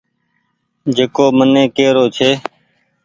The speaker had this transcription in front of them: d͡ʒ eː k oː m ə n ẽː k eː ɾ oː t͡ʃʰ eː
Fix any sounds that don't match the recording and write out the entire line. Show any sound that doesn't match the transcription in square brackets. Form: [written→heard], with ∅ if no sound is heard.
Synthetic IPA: d͡ʒ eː k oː m ə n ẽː k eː ɾ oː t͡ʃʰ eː